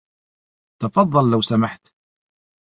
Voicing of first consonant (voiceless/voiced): voiceless